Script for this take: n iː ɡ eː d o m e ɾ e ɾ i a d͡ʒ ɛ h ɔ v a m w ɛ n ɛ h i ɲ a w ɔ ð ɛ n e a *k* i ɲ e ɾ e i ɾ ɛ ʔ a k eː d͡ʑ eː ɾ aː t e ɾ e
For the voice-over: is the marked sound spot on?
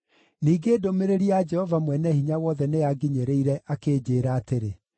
no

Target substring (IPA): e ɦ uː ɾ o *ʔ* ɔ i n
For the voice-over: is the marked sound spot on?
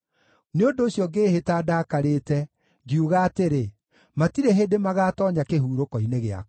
no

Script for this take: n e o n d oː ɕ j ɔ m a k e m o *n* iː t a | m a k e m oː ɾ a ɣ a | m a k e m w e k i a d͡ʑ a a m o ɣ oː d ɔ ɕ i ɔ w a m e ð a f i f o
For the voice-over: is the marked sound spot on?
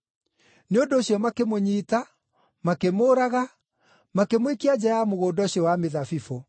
no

